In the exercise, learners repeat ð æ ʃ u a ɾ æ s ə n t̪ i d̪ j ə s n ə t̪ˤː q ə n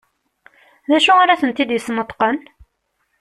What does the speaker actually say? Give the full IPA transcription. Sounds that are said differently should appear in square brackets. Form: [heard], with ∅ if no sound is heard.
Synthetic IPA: ð æ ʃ u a ɾ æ [θ] ə n t̪ i d̪ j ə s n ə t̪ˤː q ə n